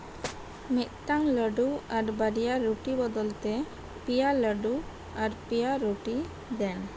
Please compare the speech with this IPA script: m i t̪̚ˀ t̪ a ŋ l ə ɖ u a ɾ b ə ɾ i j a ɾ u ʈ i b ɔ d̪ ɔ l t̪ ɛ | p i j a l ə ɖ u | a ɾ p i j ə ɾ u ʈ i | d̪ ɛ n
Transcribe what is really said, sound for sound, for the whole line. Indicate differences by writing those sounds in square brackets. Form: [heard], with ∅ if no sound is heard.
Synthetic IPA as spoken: m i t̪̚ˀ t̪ a ŋ l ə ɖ u a ɾ b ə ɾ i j a ɾ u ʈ i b ɔ d̪ ɔ l t̪ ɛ | p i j a l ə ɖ u | a ɾ p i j [a] ɾ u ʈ i | d̪ ɛ n